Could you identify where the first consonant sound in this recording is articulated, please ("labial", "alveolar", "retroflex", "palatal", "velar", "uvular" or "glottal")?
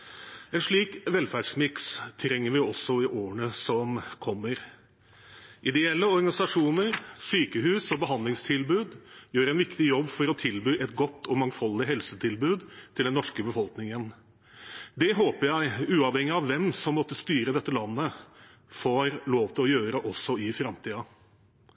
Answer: alveolar